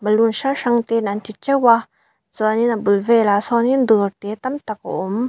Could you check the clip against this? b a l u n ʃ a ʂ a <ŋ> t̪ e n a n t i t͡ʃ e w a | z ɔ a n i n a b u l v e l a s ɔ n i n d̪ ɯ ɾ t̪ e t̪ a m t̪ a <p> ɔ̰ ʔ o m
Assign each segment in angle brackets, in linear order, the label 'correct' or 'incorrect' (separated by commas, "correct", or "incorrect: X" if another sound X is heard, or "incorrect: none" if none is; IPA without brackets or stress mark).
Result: correct, incorrect: k